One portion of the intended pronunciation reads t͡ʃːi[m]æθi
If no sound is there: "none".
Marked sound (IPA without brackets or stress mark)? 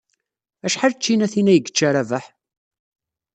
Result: n